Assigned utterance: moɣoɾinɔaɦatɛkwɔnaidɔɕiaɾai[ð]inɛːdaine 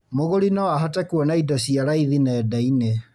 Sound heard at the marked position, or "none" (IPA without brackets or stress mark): ð